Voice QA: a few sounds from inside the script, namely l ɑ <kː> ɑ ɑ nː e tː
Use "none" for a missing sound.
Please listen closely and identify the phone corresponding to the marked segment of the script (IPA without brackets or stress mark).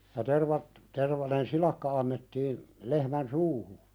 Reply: kː